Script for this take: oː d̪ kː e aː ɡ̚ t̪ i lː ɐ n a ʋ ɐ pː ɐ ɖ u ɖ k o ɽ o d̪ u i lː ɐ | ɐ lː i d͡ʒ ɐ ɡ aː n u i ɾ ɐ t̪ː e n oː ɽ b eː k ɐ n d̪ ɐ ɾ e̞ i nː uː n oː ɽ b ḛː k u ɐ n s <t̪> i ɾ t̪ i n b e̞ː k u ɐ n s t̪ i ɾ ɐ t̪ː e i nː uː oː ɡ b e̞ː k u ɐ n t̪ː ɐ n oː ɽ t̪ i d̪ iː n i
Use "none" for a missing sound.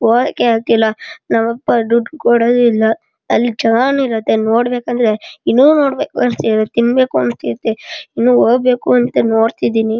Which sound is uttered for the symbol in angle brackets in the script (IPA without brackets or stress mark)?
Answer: t̪